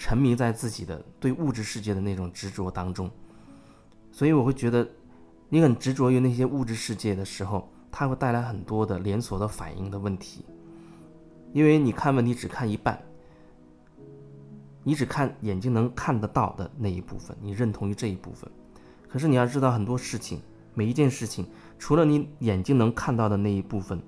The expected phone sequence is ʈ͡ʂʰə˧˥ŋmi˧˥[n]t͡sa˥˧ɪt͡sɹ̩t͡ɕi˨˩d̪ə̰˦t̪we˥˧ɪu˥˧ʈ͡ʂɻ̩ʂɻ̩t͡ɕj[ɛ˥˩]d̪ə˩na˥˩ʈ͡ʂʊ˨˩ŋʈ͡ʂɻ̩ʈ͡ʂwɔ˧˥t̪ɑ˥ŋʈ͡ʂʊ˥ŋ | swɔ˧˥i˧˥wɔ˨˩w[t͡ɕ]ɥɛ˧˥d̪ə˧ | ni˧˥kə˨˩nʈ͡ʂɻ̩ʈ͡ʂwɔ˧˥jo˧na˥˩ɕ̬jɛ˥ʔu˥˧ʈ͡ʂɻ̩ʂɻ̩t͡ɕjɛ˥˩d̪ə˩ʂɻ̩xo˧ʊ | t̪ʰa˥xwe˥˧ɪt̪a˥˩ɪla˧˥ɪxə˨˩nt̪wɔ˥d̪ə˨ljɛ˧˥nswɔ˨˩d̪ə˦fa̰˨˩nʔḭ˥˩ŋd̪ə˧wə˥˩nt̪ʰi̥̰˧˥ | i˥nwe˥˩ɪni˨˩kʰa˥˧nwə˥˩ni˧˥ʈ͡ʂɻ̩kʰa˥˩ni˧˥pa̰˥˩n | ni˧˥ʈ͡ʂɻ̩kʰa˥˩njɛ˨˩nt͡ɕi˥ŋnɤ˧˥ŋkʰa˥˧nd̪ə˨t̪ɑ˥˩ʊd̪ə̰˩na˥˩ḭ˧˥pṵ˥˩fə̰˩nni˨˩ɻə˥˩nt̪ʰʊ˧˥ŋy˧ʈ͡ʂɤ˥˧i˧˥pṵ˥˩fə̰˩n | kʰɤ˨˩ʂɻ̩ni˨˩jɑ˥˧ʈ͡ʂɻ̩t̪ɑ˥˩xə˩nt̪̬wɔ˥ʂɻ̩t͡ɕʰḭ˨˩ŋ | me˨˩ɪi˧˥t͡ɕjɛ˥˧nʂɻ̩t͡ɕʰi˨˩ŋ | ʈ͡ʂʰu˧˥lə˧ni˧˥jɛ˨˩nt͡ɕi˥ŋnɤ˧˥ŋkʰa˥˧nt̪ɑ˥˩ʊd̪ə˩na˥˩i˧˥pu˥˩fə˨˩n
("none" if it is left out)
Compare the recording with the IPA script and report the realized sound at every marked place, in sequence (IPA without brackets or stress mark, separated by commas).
ŋ, ɛ˥˩, t͡ɕ